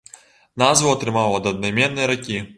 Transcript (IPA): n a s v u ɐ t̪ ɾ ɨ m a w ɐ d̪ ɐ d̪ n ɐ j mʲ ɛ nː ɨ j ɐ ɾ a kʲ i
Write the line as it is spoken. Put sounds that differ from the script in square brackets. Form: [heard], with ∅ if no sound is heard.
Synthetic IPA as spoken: n a [z] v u ɐ t̪ ɾ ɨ m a w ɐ d̪ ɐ d̪ n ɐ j mʲ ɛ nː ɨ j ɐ ɾ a kʲ i

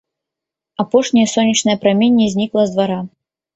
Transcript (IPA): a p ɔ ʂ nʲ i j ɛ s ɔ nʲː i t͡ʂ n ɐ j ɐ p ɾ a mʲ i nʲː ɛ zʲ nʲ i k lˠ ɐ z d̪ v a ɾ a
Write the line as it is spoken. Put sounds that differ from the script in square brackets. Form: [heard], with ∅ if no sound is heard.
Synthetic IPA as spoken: a p ɔ ʂ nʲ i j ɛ s ɔ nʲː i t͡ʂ n ɐ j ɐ p ɾ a mʲ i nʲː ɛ zʲ nʲ i k lˠ ɐ z d̪ v a ɾ a

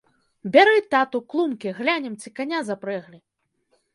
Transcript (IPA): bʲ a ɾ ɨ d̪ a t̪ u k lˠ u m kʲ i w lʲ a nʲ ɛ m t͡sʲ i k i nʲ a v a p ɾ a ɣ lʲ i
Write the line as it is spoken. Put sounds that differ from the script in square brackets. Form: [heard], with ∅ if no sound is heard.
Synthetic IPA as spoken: bʲ a ɾ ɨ [t̪] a t̪ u k lˠ u m kʲ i [ɣ] lʲ a nʲ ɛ m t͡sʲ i k [a] nʲ a [z] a p ɾ [ɛ] ɣ lʲ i

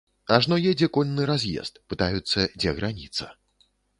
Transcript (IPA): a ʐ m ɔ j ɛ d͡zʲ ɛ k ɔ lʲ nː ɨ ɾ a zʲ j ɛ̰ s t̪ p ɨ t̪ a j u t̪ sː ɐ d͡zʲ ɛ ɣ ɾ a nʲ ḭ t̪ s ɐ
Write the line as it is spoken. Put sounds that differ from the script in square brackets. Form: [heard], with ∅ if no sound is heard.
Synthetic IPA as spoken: a ʐ [n] ɔ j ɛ d͡zʲ ɛ k ɔ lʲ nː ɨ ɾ a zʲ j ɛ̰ s t̪ p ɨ t̪ a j u t̪ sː ɐ d͡zʲ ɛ ɣ ɾ a nʲ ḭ t̪ s ɐ

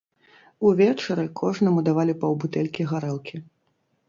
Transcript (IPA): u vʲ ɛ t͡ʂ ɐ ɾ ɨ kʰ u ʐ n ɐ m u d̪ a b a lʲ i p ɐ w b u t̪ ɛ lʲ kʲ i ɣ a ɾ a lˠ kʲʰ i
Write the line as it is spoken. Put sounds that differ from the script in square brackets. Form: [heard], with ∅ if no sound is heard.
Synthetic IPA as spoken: u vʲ ɛ t͡ʂ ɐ ɾ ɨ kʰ [ɔ] ʐ n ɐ m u d̪ a [v] a lʲ i p ɐ w b u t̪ ɛ lʲ kʲ i ɣ a ɾ [ɛ] lˠ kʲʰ i

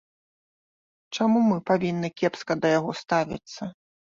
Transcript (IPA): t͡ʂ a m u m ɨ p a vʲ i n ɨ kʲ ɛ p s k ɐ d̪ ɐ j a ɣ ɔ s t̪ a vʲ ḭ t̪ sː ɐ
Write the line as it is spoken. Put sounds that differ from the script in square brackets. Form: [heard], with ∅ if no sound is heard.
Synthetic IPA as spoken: t͡ʂ a m u m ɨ p a vʲ i [nː] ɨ kʲ ɛ p s k ɐ d̪ ɐ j a ɣ ɔ s t̪ a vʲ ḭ t̪ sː ɐ

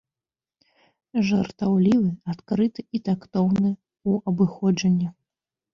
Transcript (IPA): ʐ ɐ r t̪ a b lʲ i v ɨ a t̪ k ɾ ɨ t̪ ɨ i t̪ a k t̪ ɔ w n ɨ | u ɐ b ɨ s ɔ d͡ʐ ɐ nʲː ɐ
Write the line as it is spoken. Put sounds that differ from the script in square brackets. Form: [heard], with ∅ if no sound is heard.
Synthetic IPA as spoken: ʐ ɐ r t̪ a [w] lʲ i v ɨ a t̪ k ɾ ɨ t̪ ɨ i t̪ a k t̪ ɔ w n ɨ | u ɐ b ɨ [x] ɔ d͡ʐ ɐ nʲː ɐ

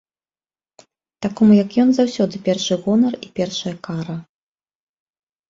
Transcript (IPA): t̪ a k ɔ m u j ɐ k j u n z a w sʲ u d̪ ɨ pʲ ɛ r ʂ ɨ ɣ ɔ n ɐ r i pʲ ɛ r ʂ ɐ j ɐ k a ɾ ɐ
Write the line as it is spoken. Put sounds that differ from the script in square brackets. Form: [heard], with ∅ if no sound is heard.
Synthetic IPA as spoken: t̪ a k ɔ m u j ɐ k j [ɔ] n z a w sʲ [ɔ] d̪ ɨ pʲ ɛ r ʂ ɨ ɣ ɔ n ɐ r i pʲ ɛ r ʂ ɐ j ɐ k a ɾ ɐ

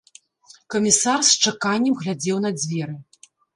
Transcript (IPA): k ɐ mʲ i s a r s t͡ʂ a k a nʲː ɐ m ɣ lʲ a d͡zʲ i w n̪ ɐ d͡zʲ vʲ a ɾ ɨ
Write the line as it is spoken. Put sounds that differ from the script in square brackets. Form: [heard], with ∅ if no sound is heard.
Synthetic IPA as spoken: k ɐ mʲ i s a r s t͡ʂ a k a nʲː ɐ m ɣ lʲ a d͡zʲ [ɛ] w n̪ ɐ d͡zʲ vʲ [ɛ] ɾ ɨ

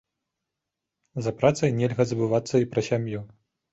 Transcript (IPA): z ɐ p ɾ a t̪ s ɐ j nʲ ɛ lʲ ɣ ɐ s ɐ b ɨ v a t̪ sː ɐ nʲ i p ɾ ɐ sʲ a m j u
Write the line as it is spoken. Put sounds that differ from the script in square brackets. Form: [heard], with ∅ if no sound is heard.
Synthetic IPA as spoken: z ɐ p ɾ a t̪ s ɐ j nʲ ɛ lʲ ɣ ɐ [z] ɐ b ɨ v a t̪ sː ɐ [∅] i p ɾ ɐ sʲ a m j u

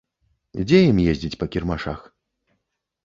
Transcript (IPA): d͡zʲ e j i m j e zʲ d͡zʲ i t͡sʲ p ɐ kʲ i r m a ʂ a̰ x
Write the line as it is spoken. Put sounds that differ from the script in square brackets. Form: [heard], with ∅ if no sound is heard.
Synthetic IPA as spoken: d͡zʲ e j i m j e zʲ d͡zʲ i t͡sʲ p ɐ kʲ i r m a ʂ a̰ x

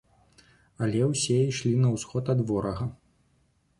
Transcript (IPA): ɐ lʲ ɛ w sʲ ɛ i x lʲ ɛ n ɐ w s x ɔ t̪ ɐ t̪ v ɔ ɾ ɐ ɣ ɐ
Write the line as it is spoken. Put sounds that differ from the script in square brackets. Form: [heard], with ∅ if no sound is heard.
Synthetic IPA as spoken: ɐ lʲ ɛ w sʲ ɛ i [ʂ] lʲ [i] n ɐ w s x ɔ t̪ ɐ [d̪] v ɔ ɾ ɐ ɣ ɐ

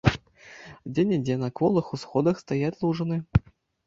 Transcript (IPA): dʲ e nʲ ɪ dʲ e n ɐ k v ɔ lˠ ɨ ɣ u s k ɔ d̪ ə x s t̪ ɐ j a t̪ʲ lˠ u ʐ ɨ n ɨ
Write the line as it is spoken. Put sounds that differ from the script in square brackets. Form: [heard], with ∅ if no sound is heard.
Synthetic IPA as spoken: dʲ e nʲ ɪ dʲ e n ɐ k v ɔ lˠ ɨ [x] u s [x] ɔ d̪ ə x s t̪ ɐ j a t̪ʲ lˠ u ʐ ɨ n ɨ

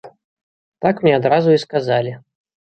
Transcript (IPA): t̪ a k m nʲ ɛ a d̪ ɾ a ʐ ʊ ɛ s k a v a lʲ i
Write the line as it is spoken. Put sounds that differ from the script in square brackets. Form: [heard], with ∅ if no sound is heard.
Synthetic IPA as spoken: t̪ a k m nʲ ɛ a d̪ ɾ a [z] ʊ [i] s k a [z] a lʲ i

